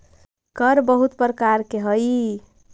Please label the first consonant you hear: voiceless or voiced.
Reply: voiceless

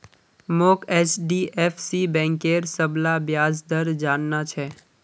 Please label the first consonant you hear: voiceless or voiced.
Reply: voiced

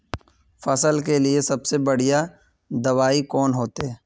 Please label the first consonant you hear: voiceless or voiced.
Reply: voiceless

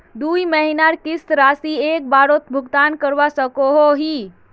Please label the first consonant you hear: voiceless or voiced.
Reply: voiced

